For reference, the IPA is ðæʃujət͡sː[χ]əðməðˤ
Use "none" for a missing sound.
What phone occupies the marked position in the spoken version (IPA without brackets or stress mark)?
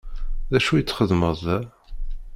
χ